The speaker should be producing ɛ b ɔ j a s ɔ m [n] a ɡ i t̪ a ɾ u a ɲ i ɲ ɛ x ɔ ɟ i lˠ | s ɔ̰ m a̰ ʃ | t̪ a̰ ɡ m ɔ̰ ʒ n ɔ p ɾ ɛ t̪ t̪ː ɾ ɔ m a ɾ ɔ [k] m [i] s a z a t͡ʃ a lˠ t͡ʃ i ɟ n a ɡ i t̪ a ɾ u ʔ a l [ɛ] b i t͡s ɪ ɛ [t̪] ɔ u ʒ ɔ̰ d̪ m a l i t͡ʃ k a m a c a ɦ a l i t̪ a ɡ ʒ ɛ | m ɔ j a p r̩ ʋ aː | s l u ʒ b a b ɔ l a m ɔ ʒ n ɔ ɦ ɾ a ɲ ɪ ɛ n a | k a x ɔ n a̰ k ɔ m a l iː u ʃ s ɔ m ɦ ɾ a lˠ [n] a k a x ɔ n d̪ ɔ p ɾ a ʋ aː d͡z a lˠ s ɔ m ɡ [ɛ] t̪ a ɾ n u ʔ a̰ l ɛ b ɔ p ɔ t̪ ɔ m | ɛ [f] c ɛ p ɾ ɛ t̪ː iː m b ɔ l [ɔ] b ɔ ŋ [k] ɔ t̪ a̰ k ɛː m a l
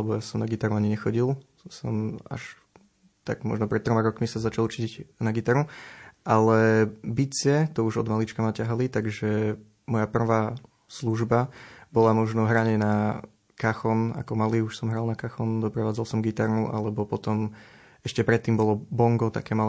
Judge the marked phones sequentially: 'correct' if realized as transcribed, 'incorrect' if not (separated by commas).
correct, correct, correct, correct, correct, correct, incorrect, incorrect, correct, incorrect